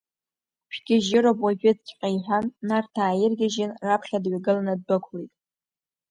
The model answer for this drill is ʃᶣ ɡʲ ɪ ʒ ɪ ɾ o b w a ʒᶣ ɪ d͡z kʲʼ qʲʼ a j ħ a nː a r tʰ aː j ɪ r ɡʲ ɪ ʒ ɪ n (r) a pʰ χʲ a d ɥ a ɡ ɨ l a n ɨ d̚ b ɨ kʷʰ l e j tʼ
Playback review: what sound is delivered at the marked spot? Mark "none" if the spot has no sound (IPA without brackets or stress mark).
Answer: r